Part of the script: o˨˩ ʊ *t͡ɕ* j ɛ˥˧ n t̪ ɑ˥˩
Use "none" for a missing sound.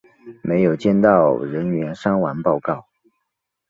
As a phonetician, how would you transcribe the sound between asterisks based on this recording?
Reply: t͡ɕ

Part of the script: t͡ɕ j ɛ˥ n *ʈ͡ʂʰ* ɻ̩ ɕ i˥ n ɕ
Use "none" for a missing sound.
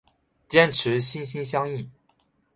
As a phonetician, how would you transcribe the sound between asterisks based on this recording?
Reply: ʈ͡ʂʰ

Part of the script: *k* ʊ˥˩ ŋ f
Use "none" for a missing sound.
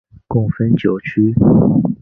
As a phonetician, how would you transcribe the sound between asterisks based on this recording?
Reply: k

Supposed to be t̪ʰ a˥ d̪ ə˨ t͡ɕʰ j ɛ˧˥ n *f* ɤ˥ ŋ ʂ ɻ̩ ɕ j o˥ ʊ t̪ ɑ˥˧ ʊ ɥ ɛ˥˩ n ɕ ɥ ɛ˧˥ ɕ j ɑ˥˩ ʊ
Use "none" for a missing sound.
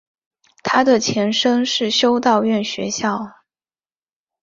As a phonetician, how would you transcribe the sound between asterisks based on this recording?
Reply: ʂ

